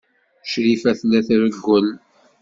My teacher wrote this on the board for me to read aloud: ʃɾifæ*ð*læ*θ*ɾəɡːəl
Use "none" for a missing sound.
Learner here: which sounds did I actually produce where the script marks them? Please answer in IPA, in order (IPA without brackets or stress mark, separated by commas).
θ, θ